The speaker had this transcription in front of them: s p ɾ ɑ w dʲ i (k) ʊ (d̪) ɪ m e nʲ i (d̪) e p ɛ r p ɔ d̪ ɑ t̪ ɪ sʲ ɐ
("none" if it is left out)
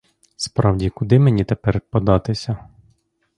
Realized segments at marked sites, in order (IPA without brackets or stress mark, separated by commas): k, d̪, t̪